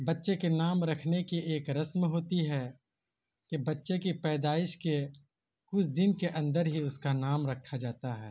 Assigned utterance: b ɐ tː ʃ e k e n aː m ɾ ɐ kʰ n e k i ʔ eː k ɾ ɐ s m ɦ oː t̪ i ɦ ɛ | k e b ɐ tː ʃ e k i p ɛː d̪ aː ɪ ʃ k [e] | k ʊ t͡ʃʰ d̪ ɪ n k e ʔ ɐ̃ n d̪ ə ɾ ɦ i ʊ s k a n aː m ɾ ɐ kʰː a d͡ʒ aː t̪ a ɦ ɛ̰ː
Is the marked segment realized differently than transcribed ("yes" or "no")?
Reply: no